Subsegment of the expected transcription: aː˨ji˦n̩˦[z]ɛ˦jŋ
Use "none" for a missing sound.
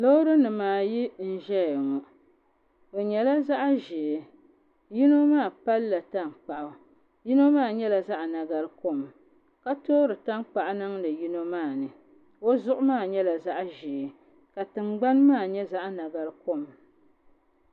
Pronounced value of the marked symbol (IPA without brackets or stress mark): ʒ